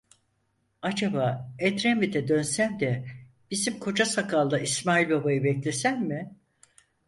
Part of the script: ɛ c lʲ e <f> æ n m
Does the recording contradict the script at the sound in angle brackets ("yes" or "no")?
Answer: yes